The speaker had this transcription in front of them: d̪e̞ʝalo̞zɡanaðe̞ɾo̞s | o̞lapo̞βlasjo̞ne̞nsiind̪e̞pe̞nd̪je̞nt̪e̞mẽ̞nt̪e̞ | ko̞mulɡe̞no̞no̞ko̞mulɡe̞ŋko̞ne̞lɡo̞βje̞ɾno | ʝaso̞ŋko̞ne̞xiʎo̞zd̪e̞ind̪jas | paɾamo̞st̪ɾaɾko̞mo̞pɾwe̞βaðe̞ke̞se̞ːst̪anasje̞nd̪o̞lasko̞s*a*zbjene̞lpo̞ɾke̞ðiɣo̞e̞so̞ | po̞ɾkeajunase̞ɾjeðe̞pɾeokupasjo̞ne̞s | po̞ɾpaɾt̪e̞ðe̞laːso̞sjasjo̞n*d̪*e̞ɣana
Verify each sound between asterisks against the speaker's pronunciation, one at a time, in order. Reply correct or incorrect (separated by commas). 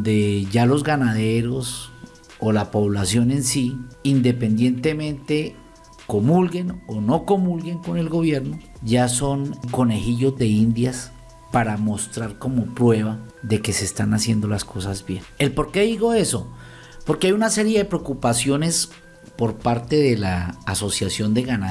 correct, correct